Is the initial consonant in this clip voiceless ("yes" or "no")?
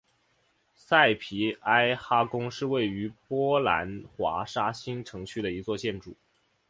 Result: yes